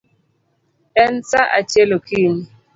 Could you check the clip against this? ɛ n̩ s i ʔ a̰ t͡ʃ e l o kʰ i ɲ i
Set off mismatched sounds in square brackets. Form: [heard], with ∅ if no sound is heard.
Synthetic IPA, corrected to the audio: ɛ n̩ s [a] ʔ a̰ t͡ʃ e l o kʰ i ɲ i